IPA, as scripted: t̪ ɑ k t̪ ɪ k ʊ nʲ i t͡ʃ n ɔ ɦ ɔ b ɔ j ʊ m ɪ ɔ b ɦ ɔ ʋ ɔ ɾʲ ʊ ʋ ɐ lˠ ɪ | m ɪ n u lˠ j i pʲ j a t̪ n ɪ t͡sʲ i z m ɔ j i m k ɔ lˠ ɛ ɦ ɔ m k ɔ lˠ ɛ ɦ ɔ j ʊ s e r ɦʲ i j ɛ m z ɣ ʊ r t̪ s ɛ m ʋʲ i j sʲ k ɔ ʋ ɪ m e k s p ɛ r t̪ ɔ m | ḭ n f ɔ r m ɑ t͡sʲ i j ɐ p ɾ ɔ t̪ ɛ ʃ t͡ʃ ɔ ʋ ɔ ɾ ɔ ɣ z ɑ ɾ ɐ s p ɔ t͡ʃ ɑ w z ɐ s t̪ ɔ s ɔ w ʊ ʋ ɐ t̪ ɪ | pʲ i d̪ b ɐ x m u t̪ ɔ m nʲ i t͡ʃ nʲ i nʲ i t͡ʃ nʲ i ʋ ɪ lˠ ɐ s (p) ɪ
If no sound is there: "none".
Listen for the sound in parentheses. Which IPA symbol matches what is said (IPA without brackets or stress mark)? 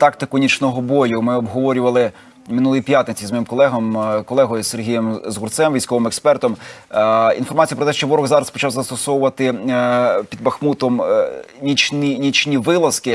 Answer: k